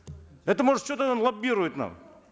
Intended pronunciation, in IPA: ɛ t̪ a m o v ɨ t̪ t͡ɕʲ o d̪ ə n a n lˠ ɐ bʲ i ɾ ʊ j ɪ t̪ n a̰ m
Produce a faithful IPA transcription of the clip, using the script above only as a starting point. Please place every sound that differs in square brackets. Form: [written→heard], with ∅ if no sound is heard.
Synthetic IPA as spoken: ɛ t̪ [a→ə] m o [v→ʐ] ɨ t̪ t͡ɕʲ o [d̪→t̪] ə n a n lˠ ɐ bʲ i ɾ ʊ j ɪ t̪ n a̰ m